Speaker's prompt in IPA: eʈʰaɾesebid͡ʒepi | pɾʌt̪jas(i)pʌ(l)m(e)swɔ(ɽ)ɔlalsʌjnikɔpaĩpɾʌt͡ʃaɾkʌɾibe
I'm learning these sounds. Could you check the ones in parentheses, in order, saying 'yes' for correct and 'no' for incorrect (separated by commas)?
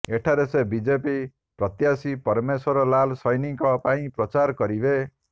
yes, no, yes, no